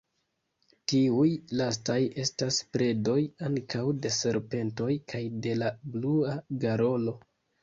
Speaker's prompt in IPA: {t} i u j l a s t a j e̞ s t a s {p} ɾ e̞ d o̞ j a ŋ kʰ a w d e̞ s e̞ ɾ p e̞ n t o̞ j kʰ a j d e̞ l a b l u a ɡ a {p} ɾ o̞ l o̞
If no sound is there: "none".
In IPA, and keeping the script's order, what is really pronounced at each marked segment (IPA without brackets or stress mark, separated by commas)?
t, p, none